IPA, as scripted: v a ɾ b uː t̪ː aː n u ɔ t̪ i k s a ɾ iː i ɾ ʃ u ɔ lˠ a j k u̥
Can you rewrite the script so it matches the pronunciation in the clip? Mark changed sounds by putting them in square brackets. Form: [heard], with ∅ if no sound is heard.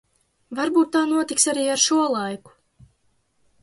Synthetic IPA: v a ɾ b uː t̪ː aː n u ɔ t̪ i k s a ɾ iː [a] ɾ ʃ u ɔ lˠ a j k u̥